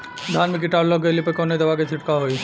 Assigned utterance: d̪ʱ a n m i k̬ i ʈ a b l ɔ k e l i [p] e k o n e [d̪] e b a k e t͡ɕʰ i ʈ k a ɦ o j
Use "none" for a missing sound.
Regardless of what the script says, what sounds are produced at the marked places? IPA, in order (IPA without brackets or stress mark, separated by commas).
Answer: p, d̪